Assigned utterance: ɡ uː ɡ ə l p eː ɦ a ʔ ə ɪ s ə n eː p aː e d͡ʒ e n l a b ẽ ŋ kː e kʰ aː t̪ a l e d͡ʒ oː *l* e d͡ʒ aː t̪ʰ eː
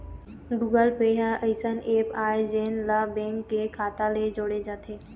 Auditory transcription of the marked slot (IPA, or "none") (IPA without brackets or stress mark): ɽ